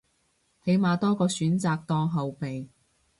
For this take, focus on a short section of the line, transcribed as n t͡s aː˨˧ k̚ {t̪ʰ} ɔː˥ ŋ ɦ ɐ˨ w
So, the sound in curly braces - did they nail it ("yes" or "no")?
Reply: no